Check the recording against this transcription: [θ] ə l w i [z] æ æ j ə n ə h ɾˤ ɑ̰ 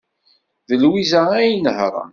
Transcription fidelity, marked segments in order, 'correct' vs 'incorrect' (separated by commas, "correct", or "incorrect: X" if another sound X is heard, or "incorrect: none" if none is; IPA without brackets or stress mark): incorrect: ð, correct